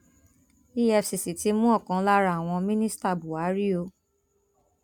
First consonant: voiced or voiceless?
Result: voiceless